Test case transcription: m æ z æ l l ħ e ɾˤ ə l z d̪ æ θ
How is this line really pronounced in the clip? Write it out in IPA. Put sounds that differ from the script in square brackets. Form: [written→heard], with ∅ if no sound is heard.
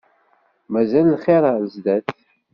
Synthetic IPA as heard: m æ z æ l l [ħ→χ] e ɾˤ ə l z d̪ æ θ

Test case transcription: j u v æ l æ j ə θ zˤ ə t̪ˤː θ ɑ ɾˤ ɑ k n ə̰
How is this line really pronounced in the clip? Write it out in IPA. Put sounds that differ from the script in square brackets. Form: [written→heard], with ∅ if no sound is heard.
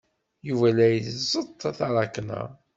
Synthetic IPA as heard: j u v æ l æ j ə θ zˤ ə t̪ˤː θ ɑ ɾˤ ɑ k n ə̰

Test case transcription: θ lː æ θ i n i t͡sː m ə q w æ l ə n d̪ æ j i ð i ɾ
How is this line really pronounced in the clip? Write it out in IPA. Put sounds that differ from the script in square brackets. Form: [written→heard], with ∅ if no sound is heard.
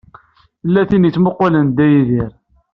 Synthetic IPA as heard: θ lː æ θ i n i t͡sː m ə q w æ l ə n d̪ æ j i ð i ɾ

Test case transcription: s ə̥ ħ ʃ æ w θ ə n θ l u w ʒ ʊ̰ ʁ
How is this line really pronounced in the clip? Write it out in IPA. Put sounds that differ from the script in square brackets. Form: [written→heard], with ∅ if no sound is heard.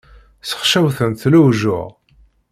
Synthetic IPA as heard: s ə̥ [ħ→χ] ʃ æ w θ ə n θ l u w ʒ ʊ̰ ʁ

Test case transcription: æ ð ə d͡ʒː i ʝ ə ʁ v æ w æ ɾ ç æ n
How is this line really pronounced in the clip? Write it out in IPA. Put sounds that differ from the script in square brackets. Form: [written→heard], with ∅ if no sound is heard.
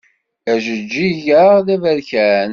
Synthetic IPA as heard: æ [ð→ʒ] ə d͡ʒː i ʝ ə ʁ [v→ð] æ [w→v] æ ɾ ç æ n

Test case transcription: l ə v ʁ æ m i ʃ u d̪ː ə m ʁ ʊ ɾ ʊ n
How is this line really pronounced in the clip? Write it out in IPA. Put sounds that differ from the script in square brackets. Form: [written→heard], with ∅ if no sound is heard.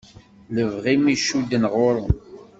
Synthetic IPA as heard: l ə v ʁ [æ→i] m i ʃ u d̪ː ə [m→n] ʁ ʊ ɾ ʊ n

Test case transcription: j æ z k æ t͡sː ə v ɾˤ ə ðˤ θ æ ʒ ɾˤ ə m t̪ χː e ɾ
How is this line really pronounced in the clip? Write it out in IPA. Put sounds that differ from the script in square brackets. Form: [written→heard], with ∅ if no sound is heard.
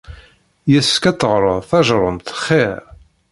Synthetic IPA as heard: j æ [z→s] k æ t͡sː ə [v→ʁ] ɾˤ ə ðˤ θ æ ʒ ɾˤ ə m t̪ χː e ɾ

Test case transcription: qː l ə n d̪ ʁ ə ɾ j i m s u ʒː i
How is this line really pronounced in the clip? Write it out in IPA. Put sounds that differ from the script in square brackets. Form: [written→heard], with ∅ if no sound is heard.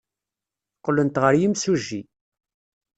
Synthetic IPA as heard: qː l ə n [d̪→t̪] ʁ ə ɾ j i m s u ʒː i

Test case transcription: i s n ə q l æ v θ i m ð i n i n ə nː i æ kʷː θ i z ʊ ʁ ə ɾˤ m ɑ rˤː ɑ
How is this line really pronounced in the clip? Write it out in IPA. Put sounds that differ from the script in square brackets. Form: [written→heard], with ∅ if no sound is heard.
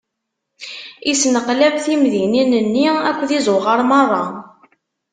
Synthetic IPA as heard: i s n ə q l æ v θ i m ð i n i n ə nː i æ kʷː [θ→ð] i z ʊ ʁ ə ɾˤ m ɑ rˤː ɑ

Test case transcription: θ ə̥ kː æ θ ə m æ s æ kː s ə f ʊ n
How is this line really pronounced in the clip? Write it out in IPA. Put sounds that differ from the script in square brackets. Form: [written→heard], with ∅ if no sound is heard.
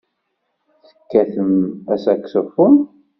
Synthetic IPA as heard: θ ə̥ kː æ θ ə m æ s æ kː s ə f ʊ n

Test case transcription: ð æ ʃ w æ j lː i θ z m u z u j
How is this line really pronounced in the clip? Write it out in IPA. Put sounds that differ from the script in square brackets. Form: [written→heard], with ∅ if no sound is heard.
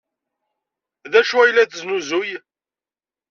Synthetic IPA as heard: ð æ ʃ [w→u] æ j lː [i→æ] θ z [m→n] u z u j

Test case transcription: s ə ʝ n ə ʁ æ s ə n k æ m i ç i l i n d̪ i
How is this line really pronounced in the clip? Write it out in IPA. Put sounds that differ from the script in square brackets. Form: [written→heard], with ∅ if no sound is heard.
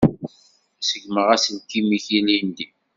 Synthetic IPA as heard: s ə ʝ [n→m] ə ʁ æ s ə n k [æ→i] m i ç i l i n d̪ i

